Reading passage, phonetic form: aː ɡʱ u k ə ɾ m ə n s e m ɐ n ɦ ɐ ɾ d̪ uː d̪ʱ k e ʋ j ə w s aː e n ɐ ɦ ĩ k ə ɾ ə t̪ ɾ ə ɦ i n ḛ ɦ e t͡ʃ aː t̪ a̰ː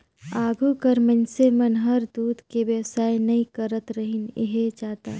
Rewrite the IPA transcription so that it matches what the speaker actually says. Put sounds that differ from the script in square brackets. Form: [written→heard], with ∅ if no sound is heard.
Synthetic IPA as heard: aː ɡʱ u k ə ɾ m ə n s e m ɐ n ɦ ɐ ɾ d̪ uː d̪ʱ k e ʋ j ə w s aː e n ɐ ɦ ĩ k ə ɾ ə t̪ ɾ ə ɦ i n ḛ ɦ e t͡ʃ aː t̪ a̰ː